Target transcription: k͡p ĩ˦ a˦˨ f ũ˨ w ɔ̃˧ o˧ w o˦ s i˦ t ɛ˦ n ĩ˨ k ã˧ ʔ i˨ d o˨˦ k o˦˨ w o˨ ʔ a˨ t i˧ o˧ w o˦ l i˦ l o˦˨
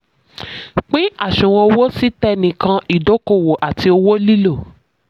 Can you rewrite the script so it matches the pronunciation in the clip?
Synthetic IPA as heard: k͡p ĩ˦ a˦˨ ʃ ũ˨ w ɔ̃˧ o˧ w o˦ s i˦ t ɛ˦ n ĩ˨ k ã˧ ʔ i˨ d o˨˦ k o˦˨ w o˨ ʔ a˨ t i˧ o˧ w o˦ l i˦ l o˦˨

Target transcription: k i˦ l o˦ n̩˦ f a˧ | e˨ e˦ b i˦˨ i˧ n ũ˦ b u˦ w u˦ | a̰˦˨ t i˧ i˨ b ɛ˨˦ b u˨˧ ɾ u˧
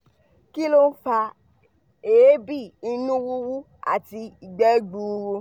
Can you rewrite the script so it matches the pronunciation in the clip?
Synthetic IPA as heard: k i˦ l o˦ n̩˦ f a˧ | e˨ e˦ b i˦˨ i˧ n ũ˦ w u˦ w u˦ | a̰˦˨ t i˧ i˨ ɡ͡b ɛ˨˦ ɡ͡b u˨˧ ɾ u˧

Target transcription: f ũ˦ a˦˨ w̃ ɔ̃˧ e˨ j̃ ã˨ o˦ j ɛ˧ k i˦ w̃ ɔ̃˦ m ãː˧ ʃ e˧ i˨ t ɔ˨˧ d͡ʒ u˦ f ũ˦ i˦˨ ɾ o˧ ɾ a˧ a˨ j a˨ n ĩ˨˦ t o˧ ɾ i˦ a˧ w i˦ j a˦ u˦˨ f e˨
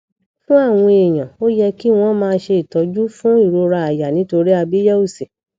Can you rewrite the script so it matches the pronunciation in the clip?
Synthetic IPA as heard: f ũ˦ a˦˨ w̃ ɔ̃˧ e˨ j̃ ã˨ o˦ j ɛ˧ k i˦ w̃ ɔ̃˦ m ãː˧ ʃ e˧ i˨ t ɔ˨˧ d͡ʒ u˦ f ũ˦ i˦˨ ɾ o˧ ɾ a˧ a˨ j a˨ n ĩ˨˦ t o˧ ɾ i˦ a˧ b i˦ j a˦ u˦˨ s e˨

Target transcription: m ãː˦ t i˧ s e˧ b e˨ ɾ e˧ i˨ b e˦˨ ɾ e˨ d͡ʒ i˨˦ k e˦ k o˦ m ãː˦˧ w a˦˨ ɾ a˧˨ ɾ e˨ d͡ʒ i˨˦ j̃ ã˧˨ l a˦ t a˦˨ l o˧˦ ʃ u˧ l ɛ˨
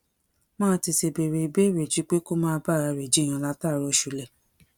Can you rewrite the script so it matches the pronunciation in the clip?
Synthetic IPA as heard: m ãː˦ t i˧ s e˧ b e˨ ɾ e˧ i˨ b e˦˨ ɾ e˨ d͡ʒ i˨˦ k͡p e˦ k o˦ m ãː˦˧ b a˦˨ ɾ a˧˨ ɾ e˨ d͡ʒ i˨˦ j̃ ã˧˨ l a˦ t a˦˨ ɾ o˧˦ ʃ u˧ l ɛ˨

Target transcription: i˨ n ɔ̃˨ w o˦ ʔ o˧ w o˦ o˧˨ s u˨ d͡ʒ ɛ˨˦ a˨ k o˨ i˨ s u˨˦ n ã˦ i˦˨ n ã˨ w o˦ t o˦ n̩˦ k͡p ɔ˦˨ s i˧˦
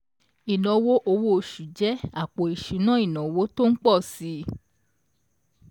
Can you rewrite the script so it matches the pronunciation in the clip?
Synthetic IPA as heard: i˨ n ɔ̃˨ w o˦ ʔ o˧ w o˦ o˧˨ ʃ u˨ d͡ʒ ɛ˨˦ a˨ k͡p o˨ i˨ ʃ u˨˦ n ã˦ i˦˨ n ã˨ w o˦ t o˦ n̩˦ k͡p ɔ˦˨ s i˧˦

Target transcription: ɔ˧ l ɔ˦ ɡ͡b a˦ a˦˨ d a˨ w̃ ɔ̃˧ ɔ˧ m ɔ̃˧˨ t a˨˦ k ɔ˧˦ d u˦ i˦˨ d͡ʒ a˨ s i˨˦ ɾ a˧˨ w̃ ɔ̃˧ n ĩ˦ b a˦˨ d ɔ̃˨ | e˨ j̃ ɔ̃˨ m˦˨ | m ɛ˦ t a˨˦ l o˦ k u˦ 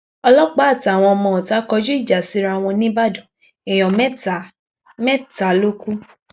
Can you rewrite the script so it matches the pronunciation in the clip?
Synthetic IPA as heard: ɔ˧ l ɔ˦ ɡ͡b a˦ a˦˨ t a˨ w̃ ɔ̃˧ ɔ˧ m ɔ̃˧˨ t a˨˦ k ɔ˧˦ d͡ʒ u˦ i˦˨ d͡ʒ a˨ s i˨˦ ɾ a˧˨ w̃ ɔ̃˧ n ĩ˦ b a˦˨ d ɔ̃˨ | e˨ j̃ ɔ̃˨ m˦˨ | m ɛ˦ t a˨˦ l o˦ k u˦

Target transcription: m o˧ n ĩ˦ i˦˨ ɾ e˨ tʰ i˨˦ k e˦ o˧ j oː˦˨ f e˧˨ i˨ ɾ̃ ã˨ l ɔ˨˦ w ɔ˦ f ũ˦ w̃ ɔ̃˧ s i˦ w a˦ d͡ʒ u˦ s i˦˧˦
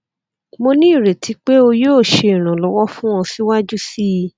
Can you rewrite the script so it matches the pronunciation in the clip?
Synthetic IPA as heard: m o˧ n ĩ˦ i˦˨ ɾ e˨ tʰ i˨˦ k͡p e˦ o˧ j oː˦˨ ʃ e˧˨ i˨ ɾ̃ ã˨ l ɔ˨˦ w ɔ˦ f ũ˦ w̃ ɔ̃˧ s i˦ w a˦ d͡ʒ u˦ s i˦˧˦

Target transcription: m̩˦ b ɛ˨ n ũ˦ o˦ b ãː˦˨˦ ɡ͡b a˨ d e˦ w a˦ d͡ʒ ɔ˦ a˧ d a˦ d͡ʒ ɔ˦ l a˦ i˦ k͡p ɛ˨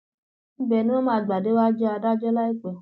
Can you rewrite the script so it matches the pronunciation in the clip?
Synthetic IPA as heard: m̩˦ b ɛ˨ n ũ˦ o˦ m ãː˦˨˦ ɡ͡b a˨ d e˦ w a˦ d͡ʒ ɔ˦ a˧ d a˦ d͡ʒ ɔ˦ l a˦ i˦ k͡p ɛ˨

